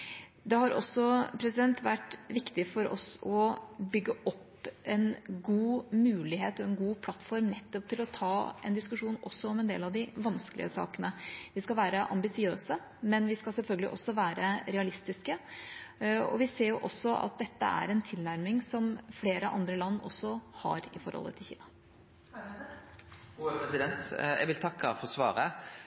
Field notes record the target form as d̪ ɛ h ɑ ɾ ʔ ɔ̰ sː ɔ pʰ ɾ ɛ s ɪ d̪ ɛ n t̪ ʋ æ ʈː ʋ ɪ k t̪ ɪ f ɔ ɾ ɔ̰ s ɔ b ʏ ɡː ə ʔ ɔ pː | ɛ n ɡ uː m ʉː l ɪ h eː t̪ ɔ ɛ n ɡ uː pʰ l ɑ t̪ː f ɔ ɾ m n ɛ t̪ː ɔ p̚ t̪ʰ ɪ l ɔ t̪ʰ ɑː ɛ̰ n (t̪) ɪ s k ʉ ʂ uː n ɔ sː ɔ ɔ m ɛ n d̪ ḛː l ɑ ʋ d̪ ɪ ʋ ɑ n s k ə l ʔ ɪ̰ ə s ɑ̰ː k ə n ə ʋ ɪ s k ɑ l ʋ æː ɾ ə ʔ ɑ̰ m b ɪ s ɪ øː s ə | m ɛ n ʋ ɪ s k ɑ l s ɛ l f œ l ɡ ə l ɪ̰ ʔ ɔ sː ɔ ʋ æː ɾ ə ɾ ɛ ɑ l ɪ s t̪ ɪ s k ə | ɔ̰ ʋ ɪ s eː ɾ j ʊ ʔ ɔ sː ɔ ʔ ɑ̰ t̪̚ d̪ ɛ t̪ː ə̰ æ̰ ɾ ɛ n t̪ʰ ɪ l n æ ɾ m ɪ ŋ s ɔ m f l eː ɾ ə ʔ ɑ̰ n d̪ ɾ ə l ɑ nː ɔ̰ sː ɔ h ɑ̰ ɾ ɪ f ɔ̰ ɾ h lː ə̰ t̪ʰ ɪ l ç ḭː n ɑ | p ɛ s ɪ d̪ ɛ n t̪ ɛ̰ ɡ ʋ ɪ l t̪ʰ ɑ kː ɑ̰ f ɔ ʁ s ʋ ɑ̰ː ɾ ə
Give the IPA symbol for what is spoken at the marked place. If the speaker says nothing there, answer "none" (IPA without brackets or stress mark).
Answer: d̪